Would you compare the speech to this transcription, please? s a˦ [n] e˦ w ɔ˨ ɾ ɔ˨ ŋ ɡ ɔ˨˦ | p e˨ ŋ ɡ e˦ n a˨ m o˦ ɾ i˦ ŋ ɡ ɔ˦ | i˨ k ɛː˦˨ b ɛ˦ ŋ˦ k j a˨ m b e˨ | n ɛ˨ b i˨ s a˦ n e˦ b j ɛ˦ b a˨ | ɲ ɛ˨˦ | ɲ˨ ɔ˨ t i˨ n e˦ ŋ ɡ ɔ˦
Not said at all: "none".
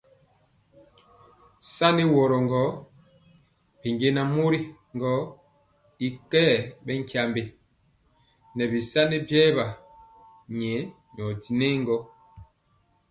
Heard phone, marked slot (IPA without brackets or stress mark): n